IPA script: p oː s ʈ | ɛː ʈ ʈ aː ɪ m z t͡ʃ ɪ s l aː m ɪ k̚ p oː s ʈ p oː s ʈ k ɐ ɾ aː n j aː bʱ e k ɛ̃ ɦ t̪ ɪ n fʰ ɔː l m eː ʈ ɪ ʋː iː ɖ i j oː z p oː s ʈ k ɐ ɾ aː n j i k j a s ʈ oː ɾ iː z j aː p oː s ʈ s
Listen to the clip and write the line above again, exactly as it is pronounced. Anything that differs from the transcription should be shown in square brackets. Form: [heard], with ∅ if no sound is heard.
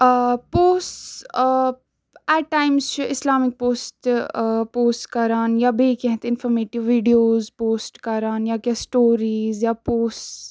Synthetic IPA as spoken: p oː s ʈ | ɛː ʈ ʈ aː ɪ m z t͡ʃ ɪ s l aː m ɪ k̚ p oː s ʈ p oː s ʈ k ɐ ɾ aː n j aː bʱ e k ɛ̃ ɦ t̪ ɪ n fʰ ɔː [ɾ] m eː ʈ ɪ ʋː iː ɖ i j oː z p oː s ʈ k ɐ ɾ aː n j [a] k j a s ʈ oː ɾ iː z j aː p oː s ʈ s

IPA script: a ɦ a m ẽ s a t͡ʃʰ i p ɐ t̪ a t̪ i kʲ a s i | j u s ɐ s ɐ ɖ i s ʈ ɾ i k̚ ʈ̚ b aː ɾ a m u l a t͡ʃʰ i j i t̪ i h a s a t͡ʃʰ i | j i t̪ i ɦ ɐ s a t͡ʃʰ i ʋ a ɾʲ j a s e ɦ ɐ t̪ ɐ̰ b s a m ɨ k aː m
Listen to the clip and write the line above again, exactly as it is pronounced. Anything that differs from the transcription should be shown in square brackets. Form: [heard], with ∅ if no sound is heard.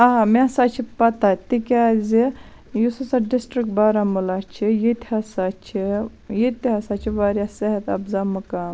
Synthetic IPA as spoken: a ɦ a m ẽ s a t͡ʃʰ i p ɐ t̪ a t̪ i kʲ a [z] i | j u s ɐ s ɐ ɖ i s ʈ ɾ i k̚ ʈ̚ b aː ɾ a m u l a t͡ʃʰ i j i t̪ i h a s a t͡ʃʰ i | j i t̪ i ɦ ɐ s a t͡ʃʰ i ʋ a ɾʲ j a s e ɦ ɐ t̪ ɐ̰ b [z] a m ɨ k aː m

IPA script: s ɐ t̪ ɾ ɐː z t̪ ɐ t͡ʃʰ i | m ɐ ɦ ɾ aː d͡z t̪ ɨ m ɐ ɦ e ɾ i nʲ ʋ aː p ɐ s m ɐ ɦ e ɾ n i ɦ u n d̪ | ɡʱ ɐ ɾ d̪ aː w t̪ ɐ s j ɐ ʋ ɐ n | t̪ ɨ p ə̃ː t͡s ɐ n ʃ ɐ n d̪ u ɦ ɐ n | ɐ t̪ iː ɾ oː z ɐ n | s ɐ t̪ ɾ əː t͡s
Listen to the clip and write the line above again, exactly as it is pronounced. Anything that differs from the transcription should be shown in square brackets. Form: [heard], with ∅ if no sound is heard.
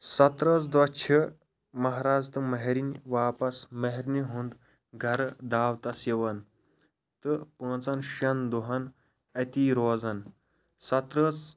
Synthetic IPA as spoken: s ɐ t̪ ɾ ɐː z [d̪] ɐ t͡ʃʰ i | m ɐ ɦ ɾ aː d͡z t̪ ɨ m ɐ ɦ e ɾ i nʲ ʋ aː p ɐ s m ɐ ɦ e ɾ n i ɦ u n d̪ | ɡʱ ɐ ɾ d̪ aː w t̪ ɐ s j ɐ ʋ ɐ n | t̪ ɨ p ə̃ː t͡s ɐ n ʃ ɐ n d̪ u ɦ ɐ n | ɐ t̪ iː ɾ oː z ɐ n | s ɐ t̪ ɾ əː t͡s

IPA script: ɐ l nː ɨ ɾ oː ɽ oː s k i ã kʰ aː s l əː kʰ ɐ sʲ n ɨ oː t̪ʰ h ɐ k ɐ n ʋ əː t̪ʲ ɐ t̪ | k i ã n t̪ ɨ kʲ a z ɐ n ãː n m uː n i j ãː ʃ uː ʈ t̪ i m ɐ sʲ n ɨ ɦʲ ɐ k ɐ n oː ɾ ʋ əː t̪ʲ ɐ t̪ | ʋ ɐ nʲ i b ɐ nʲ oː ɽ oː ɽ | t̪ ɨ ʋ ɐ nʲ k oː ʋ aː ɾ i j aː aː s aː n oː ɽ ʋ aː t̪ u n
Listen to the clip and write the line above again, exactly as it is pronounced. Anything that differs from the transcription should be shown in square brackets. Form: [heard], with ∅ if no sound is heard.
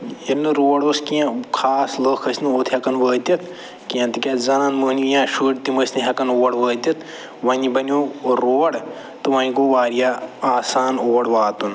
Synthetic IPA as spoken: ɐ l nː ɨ ɾ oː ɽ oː s k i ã kʰ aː s l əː kʰ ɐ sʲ n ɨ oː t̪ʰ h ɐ k ɐ n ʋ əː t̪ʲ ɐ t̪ | k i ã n t̪ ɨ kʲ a z ɐ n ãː n m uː n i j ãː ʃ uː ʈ t̪ i m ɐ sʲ n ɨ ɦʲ ɐ k ɐ n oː [ɽ] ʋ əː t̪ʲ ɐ t̪ | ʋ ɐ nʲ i b ɐ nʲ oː [ɾ] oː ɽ | t̪ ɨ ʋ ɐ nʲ k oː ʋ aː ɾ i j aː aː s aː n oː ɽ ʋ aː t̪ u n

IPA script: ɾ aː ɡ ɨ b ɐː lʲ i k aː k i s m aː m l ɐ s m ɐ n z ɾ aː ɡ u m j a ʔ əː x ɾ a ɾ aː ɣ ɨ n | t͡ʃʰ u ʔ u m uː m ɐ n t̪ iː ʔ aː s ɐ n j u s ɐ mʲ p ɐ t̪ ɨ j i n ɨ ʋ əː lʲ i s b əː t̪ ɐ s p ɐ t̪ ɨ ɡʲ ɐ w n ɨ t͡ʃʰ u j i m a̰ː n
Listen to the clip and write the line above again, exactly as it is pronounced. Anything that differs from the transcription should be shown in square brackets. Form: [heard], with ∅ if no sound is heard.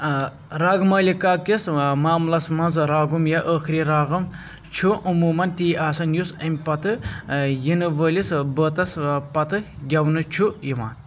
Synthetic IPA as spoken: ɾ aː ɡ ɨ [m] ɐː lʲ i k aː k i s m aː m l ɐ s m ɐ n z ɾ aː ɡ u m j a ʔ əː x ɾ [i] ɾ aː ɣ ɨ [m] | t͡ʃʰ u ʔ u m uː m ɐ n t̪ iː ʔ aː s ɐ n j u s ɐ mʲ p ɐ t̪ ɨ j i n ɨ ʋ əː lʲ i s b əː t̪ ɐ s p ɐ t̪ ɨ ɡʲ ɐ w n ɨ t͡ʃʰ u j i m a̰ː n

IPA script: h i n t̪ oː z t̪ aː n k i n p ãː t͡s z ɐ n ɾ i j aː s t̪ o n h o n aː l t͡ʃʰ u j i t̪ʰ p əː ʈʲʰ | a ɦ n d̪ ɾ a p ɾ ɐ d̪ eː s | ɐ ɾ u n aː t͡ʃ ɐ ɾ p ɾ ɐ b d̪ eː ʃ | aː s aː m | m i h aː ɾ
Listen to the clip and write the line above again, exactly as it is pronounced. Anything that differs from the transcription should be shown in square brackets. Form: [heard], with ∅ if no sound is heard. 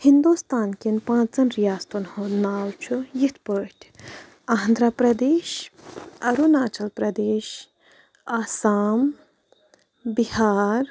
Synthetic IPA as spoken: h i n [d̪] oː [s] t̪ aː n k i n p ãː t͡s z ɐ n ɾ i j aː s t̪ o n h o n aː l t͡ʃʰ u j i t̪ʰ p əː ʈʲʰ | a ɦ n d̪ ɾ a p ɾ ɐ d̪ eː [ʃ] | ɐ ɾ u n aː t͡ʃ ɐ [l] p ɾ ɐ [∅] d̪ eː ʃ | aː s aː m | [b] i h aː ɾ

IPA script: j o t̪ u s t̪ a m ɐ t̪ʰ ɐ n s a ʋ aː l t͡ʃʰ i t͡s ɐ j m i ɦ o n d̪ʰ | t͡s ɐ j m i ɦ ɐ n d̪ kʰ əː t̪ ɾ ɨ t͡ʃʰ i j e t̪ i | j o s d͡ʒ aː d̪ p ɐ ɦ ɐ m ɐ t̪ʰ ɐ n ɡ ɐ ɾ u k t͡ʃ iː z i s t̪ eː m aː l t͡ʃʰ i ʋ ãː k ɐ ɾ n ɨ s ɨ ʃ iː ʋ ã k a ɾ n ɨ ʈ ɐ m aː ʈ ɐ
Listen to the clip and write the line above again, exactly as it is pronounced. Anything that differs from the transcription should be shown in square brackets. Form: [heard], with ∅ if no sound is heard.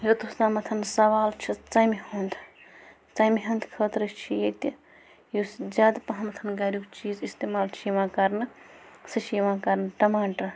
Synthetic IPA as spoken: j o t̪ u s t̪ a m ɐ t̪ʰ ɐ n s [ɐ] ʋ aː l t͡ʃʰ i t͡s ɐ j m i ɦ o n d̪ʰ | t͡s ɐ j m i ɦ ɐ n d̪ kʰ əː t̪ ɾ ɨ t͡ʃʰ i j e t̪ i | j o s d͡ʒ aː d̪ p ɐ ɦ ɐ m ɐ t̪ʰ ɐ n ɡ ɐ ɾ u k t͡ʃ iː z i s t̪ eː m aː l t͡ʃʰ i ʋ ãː k ɐ ɾ n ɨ s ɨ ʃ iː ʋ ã k [ɐ] ɾ n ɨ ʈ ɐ m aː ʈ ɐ

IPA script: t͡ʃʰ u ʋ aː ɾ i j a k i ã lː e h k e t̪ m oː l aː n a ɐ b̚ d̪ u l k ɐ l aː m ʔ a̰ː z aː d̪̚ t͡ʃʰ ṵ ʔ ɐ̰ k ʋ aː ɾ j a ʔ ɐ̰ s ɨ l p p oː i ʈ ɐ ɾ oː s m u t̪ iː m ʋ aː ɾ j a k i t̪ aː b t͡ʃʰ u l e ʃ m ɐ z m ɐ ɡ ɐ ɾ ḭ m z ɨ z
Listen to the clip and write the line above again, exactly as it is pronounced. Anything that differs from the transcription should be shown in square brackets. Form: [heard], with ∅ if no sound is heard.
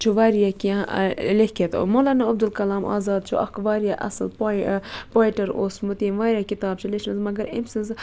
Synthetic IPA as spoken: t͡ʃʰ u ʋ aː ɾ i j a k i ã [l] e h k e t̪ m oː l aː n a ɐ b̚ d̪ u l k ɐ l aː m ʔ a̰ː z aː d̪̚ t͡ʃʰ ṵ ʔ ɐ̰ k ʋ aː ɾ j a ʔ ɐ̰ s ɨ l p p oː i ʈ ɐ ɾ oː s m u t̪ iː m ʋ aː ɾ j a k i t̪ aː b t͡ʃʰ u l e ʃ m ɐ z m ɐ ɡ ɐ ɾ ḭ m [s] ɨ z

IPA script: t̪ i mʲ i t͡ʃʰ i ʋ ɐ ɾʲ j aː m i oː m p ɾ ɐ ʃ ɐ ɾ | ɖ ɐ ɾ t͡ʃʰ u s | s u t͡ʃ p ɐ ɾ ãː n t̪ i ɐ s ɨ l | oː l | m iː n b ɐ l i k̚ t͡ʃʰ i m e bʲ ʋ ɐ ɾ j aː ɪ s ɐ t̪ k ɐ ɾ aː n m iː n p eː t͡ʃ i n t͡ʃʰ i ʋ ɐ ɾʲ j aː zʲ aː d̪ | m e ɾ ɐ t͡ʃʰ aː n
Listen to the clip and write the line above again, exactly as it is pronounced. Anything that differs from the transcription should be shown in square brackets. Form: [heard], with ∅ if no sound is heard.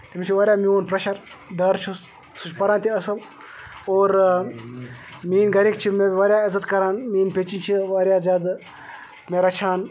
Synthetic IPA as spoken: t̪ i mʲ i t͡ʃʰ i ʋ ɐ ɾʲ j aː m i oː [n] p ɾ ɐ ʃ ɐ ɾ | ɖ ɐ ɾ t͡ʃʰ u s | s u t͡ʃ p ɐ ɾ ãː n t̪ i ɐ s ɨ l | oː [ɾ] | m iː n [ɡ] ɐ [ɾ] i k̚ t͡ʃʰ i m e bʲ ʋ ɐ ɾ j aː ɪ [z] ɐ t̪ k ɐ ɾ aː n m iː n p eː t͡ʃ i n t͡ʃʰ i ʋ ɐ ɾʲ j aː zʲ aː d̪ | m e ɾ ɐ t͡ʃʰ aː n

